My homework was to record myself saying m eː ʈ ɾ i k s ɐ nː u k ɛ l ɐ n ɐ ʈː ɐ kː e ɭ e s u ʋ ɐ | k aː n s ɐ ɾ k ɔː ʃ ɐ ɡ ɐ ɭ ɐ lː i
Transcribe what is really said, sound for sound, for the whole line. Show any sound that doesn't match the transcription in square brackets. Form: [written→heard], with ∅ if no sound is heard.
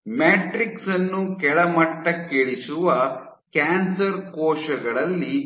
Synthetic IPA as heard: m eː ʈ ɾ i k s ɐ nː u k ɛ [l→ɭ] ɐ [n→m] ɐ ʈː ɐ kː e ɭ [e→i] s u ʋ ɐ | k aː n s ɐ ɾ k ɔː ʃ ɐ ɡ ɐ ɭ ɐ lː i